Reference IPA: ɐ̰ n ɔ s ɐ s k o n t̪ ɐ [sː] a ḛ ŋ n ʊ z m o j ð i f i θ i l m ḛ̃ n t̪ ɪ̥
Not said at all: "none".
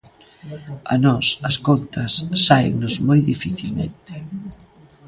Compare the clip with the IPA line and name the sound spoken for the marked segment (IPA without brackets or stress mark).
sː